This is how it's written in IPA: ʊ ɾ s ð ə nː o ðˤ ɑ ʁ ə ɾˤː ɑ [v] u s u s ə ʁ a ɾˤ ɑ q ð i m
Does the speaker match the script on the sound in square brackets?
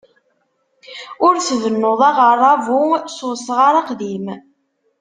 yes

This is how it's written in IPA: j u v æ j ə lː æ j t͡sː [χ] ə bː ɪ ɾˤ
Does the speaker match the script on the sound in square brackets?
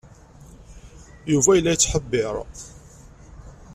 no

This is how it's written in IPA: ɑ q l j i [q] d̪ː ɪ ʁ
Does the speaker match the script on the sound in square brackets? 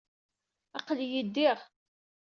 no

